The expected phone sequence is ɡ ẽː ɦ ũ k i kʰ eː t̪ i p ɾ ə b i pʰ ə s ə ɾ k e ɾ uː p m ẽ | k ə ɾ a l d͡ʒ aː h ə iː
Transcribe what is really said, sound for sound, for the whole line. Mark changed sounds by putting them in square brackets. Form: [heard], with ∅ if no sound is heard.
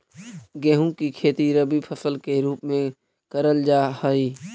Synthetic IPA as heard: ɡ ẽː ɦ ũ k i kʰ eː t̪ i [∅] ɾ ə b i pʰ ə s ə [l] k e ɾ uː p m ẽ | k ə ɾ [ə] l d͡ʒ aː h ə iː